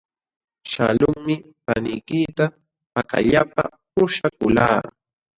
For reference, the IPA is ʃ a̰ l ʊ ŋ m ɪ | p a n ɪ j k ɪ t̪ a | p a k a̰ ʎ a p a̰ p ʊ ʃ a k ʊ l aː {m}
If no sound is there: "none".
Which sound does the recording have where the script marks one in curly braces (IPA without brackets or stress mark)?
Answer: none